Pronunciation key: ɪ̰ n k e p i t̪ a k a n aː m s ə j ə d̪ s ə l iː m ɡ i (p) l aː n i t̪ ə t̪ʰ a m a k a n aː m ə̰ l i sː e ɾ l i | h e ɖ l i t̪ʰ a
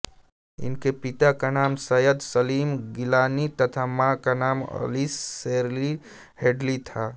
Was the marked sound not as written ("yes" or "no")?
yes